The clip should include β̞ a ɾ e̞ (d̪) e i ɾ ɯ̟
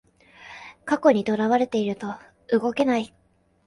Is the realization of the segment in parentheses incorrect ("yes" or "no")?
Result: yes